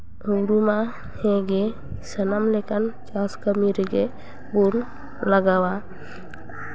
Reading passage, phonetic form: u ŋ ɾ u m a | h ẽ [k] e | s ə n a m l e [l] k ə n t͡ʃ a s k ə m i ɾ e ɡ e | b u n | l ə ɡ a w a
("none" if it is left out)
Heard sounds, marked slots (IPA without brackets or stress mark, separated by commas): ɡ, none